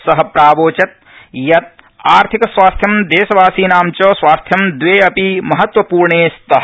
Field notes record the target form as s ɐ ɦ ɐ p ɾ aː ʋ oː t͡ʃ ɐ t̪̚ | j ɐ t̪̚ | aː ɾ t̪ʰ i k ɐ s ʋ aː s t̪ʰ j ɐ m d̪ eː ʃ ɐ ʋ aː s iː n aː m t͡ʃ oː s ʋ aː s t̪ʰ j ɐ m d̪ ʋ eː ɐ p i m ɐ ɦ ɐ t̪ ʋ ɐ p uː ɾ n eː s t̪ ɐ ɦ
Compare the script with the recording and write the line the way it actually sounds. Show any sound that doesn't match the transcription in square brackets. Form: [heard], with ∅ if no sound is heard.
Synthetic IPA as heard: s ɐ ɦ ɐ p ɾ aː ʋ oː t͡ʃ ɐ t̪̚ | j ɐ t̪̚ | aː ɾ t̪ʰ i k ɐ s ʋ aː s t̪ʰ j ɐ m d̪ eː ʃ ɐ ʋ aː s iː n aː m t͡ʃ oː s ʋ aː s t̪ʰ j ɐ m d̪ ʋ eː ɐ p i m ɐ ɦ ɐ t̪ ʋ ɐ p uː ɾ [ɳ] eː s t̪ ɐ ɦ